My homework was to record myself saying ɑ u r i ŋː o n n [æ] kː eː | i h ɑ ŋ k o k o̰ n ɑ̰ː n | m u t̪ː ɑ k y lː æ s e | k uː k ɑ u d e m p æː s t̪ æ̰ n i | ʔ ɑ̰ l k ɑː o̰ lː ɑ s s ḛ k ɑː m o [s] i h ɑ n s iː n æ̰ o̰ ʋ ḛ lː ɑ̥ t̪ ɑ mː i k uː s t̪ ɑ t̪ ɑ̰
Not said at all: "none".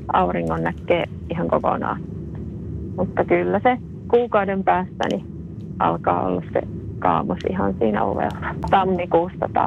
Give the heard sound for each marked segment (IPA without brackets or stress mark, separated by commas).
æ, s